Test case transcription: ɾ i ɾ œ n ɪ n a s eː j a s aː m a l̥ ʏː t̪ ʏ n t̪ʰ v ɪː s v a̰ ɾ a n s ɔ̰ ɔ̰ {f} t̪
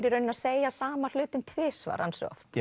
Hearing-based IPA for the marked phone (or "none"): f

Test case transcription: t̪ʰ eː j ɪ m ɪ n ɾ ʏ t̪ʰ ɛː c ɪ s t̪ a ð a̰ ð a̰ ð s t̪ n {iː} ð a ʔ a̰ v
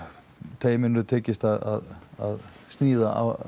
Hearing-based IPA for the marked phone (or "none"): iː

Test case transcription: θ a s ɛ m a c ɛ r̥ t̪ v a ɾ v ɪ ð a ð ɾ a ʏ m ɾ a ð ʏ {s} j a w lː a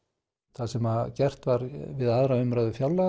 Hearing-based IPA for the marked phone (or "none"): f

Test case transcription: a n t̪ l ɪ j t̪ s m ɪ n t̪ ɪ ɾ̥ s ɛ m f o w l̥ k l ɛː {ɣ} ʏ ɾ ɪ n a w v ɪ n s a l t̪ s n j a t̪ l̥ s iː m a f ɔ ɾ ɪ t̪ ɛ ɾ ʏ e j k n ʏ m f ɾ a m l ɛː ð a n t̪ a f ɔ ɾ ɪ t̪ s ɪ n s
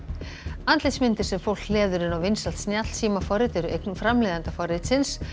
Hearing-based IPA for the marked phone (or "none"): ð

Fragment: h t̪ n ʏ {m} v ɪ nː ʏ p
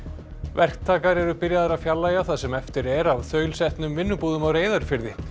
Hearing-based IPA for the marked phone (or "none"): m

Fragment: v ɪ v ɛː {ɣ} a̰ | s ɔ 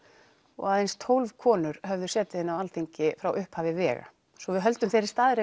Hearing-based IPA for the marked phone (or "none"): ɣ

